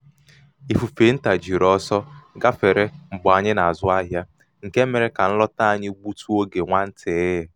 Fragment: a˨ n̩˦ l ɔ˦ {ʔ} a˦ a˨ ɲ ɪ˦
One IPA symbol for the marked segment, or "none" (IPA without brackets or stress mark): t